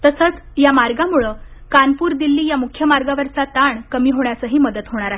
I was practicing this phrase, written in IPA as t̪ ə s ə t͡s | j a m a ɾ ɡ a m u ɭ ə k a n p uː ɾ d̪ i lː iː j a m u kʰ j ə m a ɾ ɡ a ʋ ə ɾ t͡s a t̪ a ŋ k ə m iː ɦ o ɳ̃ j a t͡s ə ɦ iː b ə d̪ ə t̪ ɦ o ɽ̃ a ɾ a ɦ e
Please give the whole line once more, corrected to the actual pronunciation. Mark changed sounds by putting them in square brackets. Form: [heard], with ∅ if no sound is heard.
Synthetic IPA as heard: t̪ ə s ə t͡s | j a m a ɾ ɡ a m u ɭ ə k a n p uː ɾ d̪ i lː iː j a m u kʰ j ə m a ɾ ɡ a ʋ ə ɾ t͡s a t̪ a [ɳ] k ə m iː ɦ o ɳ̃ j a t͡s ə ɦ iː [m] ə d̪ ə t̪ ɦ o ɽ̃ a ɾ a ɦ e